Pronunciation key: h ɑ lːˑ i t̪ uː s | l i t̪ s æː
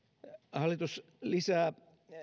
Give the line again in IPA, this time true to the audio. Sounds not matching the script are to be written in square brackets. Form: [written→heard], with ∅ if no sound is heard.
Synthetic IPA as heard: h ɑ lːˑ i t̪ [uː→u] s | l i [t̪→∅] s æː